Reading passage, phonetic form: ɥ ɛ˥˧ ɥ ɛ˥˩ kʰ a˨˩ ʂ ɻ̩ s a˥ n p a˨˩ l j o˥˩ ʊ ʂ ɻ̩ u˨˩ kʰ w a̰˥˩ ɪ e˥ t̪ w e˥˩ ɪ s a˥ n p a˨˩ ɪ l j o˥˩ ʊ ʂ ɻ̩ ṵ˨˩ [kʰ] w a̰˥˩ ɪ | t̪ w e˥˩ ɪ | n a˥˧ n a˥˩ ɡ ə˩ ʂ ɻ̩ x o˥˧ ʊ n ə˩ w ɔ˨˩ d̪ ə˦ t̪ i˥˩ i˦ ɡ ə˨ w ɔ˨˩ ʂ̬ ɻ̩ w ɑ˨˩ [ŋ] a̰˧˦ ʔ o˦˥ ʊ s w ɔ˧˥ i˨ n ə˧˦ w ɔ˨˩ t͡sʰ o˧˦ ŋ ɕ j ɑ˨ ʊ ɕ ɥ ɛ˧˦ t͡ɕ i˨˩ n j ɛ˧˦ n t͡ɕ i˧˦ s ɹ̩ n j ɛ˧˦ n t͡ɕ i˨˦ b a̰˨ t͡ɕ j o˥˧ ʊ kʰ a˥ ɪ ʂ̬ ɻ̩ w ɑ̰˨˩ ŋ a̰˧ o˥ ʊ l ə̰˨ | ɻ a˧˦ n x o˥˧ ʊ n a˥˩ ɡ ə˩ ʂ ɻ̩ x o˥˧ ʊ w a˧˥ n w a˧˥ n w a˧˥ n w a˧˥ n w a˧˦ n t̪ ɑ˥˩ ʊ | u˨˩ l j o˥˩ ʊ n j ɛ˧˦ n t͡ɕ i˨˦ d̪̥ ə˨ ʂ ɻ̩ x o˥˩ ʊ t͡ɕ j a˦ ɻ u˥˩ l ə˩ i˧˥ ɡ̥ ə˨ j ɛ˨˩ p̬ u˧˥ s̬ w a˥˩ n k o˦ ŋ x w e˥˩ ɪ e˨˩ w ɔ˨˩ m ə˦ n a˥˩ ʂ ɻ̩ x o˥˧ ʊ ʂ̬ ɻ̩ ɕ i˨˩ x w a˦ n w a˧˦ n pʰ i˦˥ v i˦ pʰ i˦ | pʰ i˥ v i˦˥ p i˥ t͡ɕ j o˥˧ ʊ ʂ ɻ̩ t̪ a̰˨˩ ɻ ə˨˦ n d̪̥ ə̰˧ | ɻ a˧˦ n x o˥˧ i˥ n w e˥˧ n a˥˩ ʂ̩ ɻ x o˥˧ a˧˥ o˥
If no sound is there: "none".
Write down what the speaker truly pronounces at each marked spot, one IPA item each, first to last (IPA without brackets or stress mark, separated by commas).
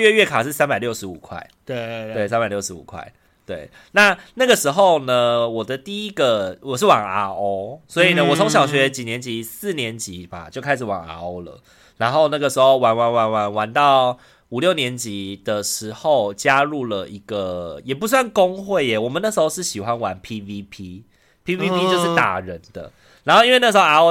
kʰ, ŋ